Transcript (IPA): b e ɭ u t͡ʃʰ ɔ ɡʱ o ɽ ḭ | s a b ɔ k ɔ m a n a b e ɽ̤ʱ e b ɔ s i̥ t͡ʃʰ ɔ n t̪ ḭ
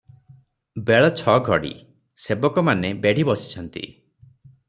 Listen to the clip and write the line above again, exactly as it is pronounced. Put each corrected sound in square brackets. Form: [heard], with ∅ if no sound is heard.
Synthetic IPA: b e ɭ [ɔ] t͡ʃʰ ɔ ɡʱ [ɔ] ɽ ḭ | s [e] b ɔ k ɔ m a n [e] b e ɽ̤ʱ [i] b ɔ s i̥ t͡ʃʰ ɔ n t̪ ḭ